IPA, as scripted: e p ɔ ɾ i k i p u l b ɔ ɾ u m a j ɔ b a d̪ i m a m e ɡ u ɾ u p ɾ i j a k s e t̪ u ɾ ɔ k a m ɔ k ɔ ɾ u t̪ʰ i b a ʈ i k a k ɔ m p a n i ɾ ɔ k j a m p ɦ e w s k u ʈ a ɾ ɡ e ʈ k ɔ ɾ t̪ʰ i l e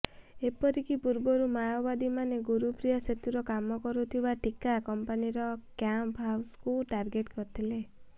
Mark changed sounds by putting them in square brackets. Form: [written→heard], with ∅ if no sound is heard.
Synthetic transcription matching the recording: e p ɔ ɾ i k i p u [l→ɾ] b ɔ ɾ u m a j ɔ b a d̪ i m a [m→n] e ɡ u ɾ u p ɾ i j a [k→∅] s e t̪ u ɾ ɔ k a m ɔ k ɔ ɾ u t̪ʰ i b a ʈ i k a k ɔ m p a n i ɾ ɔ k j a m p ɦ [e→a] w s k u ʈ a ɾ ɡ e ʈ k ɔ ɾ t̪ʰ i l e